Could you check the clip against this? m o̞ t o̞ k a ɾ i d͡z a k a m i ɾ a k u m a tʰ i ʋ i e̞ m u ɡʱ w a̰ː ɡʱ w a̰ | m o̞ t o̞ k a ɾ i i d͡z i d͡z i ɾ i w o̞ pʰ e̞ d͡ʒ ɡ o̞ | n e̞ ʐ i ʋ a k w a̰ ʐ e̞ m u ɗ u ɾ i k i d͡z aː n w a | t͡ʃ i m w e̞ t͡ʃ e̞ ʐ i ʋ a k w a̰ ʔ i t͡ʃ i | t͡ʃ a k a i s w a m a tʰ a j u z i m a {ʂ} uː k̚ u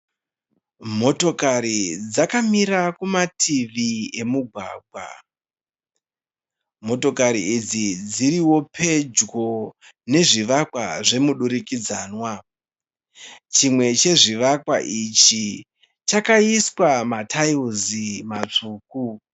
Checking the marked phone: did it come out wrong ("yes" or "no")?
yes